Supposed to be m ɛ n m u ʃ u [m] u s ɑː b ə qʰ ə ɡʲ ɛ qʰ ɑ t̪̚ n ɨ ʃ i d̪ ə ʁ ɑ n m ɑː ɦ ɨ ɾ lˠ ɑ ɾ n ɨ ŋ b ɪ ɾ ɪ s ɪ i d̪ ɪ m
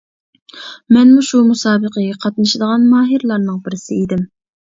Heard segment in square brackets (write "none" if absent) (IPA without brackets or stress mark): m